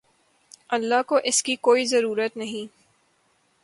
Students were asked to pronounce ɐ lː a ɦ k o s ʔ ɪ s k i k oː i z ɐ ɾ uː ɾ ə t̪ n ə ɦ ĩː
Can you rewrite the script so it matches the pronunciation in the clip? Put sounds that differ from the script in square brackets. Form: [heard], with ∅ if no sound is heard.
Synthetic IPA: ɐ lː a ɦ k o [∅] ʔ ɪ s k i k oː i z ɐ ɾ uː ɾ ə t̪ n [ɐ] ɦ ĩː